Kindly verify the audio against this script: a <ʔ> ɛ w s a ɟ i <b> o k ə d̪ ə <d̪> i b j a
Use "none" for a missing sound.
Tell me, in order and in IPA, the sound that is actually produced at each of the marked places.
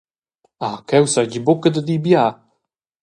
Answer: k, b, d̪

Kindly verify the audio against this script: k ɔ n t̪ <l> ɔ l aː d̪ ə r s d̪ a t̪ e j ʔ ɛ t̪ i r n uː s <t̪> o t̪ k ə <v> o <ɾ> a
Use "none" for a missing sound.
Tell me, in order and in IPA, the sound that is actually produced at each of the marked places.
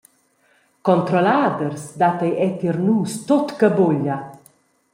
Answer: ɾ, t̪, b, ʎ

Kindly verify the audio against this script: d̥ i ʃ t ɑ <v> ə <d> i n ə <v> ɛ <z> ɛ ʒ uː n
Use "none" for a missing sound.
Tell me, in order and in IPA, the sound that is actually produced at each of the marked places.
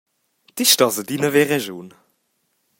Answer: z, d, v, ʁ

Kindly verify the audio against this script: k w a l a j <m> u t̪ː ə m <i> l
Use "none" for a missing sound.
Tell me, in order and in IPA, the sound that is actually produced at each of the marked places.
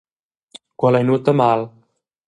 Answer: n, a

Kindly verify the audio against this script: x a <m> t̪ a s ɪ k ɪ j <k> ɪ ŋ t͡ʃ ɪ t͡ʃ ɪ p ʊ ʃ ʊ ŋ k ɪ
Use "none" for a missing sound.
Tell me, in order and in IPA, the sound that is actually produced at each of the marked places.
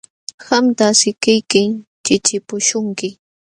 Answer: m, k

